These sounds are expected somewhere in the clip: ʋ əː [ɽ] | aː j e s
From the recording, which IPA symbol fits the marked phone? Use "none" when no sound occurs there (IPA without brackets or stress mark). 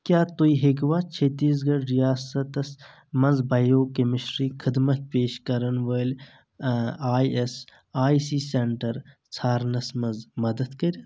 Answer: l